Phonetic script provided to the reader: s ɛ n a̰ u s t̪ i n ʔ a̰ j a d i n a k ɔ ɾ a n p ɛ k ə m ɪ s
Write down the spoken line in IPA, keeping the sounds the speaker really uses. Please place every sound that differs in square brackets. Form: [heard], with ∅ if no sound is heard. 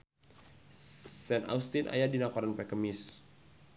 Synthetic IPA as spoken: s ɛ n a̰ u s t̪ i n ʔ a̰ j a d i n a k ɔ ɾ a n p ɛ k ə m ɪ s